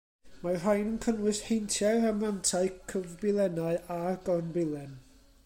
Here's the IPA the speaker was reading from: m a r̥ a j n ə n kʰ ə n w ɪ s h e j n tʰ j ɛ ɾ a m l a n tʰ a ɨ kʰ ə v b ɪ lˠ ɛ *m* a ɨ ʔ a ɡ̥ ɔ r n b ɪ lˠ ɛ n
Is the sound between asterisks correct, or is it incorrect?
incorrect